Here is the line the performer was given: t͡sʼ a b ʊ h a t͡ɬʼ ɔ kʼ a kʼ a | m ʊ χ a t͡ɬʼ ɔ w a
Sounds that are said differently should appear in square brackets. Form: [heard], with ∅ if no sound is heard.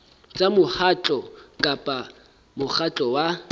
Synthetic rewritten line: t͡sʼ a [m] ʊ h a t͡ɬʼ ɔ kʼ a [pʼ] a | m ʊ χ a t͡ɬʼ ɔ w a